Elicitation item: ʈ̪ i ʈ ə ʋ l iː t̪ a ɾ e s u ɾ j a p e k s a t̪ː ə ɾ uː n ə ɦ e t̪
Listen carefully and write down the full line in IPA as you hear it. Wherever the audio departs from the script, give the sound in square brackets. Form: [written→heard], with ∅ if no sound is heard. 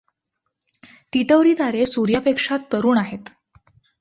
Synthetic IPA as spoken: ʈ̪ i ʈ ə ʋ [l→ɾ] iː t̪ a ɾ e s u ɾ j a p e k [s→ʂ] a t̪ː ə ɾ uː n [ə→a] ɦ e t̪